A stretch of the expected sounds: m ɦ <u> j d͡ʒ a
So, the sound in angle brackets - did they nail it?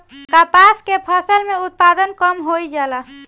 no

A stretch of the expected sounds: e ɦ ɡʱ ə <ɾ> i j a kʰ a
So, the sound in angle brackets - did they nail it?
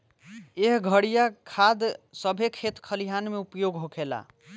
no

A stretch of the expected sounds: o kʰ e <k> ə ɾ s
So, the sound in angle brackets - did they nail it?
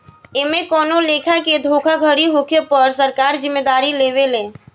no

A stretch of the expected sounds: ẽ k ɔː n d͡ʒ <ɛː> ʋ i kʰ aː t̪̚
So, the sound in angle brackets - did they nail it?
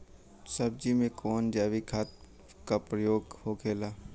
no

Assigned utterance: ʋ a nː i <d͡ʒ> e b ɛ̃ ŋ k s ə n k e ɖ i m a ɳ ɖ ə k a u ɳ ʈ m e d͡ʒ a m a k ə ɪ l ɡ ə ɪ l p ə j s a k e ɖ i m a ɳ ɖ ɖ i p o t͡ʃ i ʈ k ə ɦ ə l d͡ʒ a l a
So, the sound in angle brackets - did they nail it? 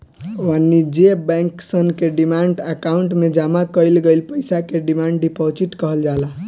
yes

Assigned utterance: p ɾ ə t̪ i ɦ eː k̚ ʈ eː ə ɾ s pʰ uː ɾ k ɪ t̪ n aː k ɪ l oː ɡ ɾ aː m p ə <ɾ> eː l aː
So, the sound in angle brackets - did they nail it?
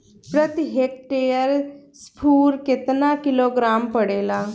no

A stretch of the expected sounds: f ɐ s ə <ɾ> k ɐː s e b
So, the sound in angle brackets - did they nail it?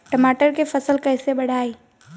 no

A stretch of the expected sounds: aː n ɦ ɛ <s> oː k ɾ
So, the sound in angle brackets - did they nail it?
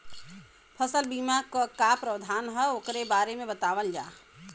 no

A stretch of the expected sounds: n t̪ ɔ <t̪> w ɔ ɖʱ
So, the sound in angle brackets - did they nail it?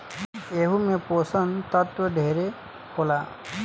yes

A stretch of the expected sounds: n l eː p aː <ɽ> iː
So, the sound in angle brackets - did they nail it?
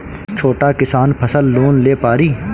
no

